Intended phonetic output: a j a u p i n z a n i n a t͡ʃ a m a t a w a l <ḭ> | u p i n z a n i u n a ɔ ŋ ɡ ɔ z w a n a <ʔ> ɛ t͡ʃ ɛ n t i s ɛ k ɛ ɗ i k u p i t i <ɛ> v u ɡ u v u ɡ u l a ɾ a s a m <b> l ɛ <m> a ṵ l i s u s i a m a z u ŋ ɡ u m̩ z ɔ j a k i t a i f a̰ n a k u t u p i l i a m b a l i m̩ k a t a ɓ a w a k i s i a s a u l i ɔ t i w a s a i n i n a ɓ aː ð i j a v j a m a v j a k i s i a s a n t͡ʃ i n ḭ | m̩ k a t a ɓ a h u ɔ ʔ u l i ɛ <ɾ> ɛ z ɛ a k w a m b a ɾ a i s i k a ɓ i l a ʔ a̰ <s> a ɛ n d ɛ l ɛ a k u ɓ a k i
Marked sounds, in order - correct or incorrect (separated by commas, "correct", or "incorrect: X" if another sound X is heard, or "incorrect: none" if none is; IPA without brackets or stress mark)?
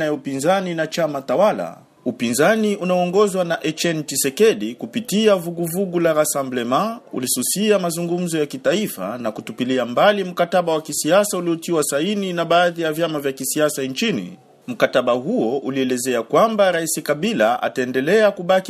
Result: incorrect: a̰, correct, incorrect: a, correct, correct, incorrect: l, incorrect: t